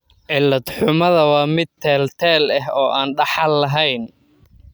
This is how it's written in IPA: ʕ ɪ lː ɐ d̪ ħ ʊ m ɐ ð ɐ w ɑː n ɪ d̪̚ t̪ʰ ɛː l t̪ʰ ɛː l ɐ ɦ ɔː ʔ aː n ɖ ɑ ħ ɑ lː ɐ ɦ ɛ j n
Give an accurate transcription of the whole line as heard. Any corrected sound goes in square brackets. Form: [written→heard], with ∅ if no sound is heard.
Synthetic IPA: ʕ ɪ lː ɐ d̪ ħ ʊ m ɐ ð ɐ w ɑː [n→m] ɪ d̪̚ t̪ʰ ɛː l t̪ʰ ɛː l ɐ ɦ ɔː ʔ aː n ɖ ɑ ħ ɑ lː ɐ ɦ ɛ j n